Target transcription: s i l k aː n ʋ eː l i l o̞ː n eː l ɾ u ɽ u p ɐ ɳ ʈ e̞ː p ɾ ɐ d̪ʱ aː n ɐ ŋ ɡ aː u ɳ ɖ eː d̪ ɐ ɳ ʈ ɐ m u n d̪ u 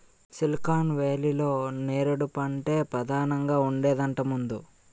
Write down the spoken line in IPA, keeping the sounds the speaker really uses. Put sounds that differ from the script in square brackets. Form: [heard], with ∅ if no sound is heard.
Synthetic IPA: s i l k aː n ʋ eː l i l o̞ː n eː [∅] ɾ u ɽ u p ɐ ɳ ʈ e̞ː p ɾ ɐ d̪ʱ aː n ɐ ŋ ɡ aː u ɳ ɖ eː d̪ ɐ ɳ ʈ ɐ m u n d̪ u